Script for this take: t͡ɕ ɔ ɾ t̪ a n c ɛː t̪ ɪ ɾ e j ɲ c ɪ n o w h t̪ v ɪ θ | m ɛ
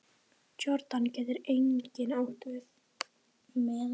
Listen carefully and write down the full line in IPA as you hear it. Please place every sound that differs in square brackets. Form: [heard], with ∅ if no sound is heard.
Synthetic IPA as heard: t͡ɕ ɔ ɾ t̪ a n c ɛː t̪ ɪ ɾ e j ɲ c ɪ n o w h t̪ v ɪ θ | m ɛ